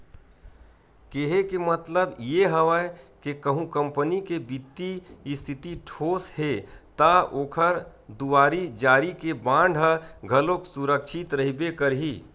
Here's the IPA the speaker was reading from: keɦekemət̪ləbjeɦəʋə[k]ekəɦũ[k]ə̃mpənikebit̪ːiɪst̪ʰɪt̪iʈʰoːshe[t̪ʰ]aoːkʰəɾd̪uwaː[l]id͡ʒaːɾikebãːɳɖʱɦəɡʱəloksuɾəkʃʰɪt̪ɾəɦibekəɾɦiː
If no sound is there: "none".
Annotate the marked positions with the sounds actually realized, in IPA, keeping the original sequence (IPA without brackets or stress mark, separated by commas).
k, k, t̪, ɾ